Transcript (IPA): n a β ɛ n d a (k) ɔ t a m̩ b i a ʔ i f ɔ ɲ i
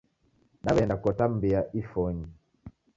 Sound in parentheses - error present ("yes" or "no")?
no